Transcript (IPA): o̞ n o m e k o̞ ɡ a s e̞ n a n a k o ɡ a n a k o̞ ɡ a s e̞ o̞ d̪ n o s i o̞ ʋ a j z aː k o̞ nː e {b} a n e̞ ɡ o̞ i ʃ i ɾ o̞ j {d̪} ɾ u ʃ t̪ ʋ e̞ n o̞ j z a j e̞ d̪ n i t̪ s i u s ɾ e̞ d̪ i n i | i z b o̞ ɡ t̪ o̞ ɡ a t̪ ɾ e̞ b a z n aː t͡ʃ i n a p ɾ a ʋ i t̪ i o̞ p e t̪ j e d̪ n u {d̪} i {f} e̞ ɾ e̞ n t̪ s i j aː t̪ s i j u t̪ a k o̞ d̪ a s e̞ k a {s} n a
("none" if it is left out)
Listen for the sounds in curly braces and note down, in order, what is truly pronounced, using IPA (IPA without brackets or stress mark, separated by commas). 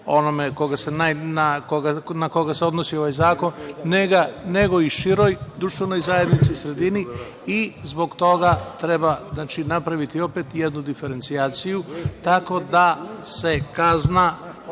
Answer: ɡ, d̪, d̪, f, z